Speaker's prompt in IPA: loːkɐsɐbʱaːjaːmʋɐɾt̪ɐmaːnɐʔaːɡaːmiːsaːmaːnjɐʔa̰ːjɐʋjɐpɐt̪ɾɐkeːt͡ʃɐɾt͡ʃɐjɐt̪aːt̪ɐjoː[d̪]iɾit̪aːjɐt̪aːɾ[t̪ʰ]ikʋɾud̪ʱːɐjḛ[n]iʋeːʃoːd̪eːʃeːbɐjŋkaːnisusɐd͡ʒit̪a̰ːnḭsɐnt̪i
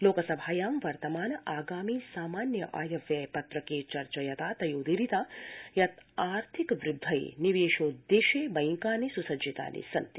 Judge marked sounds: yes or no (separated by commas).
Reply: yes, yes, yes